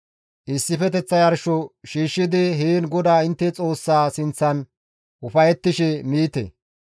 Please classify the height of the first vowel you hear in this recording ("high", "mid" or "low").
high